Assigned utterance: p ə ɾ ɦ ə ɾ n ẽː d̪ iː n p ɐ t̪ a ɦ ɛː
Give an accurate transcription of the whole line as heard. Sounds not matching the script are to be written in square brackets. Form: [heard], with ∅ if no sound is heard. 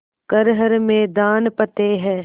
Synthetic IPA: [k] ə ɾ ɦ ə ɾ [m] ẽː d̪ [aː] n p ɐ t̪ [e] ɦ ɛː